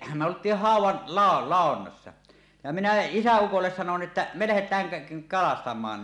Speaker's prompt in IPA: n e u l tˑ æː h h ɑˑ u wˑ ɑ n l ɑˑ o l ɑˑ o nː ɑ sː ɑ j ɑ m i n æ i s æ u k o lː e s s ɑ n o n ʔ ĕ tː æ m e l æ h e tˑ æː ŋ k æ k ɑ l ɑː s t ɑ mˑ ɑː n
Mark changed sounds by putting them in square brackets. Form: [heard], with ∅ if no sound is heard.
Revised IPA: [m] e [o] l tˑ [iː] h h ɑˑ u wˑ ɑ n l ɑˑ o l ɑˑ o nː ɑ sː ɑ j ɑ m i n æ i s æ u k o lː e s s ɑ n o n ʔ ĕ tː æ m e l æ h e tˑ æː ŋ k æ k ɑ l [ɑ] s t ɑ mˑ ɑː n